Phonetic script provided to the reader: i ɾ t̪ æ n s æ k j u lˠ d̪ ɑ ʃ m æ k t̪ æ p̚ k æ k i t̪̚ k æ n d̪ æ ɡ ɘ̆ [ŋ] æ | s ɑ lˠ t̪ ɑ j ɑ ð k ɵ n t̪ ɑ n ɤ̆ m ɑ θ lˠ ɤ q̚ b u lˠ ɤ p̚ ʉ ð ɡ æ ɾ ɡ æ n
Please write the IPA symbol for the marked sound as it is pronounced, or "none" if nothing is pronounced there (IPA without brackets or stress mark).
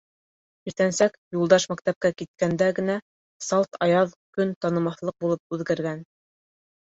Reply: n